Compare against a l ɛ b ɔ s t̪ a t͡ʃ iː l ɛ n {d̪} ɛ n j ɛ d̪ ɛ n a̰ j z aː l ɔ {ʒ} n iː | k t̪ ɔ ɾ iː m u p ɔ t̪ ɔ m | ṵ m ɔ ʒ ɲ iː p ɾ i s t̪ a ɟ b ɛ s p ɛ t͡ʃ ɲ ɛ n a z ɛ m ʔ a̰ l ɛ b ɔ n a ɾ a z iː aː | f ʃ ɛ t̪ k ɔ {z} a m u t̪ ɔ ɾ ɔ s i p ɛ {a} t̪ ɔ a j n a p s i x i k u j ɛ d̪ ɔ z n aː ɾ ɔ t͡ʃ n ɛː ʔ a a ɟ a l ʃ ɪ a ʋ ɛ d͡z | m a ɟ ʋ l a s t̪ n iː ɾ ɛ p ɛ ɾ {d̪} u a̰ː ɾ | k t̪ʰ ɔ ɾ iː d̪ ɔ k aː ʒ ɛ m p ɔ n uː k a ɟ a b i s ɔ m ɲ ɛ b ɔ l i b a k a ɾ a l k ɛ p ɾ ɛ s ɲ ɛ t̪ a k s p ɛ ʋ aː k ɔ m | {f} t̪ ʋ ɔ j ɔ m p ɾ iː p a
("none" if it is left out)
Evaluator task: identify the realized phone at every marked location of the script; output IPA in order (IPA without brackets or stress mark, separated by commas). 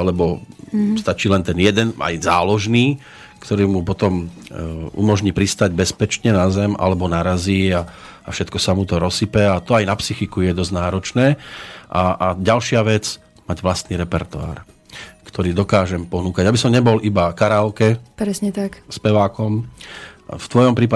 t̪, ʒ, s, a, t̪, f